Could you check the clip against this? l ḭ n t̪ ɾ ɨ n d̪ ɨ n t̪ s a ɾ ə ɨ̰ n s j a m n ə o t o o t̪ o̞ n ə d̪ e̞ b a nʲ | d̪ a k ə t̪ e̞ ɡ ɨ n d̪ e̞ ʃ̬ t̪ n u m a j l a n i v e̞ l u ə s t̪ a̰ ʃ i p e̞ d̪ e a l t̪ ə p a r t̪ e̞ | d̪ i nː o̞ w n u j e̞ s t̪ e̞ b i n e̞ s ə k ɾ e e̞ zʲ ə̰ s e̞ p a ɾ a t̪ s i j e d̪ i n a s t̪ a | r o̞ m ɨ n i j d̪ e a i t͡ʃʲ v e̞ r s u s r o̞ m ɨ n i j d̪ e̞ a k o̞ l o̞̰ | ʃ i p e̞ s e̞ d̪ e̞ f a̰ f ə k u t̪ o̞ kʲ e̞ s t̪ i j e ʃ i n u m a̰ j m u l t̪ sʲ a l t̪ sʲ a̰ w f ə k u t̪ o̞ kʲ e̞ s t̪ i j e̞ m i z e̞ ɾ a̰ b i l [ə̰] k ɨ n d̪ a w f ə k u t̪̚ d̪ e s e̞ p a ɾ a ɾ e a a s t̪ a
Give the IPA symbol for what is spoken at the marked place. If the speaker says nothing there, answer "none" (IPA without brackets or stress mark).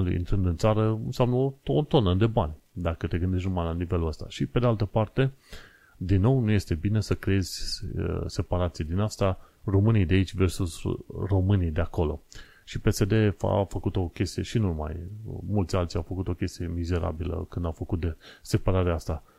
ə̰